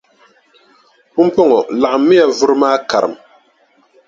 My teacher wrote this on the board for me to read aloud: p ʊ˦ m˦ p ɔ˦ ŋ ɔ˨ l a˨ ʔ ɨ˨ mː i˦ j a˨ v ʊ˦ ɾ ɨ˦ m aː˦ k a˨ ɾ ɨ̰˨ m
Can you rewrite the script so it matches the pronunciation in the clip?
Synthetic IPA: p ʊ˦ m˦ p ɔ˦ ŋ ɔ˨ l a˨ ʔ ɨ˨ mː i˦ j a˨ v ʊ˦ ɾ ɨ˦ m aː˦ k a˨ ɾ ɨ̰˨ m